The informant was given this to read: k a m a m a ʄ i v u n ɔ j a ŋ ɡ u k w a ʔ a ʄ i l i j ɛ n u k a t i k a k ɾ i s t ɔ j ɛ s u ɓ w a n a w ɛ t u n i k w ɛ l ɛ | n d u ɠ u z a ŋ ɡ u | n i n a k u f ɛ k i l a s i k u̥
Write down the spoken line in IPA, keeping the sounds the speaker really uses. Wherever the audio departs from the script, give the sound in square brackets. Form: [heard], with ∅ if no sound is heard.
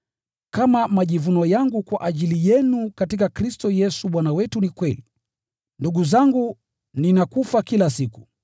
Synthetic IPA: k a m a m a ʄ i v u n ɔ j a ŋ ɡ u k w a ʔ a ʄ i l i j ɛ n u k a t i k a k ɾ i s t ɔ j ɛ s u ɓ w a n a w ɛ t u n i k w ɛ l [i] | n d u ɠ u z a ŋ ɡ u | n i n a k u f [a] k i l a s i k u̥